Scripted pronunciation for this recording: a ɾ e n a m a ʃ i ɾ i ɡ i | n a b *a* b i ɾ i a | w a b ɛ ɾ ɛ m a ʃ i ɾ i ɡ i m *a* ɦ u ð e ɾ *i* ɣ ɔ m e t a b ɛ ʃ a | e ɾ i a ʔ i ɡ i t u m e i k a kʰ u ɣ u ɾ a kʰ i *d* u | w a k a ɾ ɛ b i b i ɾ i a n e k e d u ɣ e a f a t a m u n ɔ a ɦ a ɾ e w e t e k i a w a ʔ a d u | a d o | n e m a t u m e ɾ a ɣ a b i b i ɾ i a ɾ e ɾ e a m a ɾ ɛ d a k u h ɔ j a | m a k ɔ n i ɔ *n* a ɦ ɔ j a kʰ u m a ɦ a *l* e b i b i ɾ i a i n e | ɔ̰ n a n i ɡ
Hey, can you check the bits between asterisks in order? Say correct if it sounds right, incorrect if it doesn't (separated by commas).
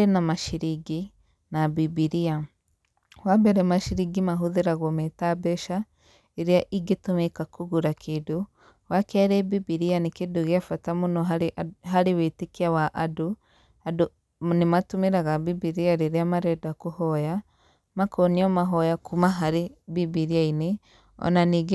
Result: incorrect, correct, incorrect, correct, incorrect, incorrect